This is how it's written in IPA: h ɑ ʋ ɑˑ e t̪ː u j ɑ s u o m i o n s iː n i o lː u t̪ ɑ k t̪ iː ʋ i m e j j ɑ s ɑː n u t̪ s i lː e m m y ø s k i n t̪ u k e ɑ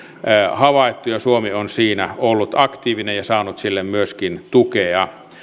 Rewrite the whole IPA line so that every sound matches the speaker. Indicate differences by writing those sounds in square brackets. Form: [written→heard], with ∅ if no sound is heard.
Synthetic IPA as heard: h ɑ ʋ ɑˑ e t̪ː u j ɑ s u o m i o n s iː n [i→æ] o lː u t̪ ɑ k t̪ iː ʋ i [m→n] e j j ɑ s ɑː n u t̪ s i lː e m m y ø s k i n t̪ u k e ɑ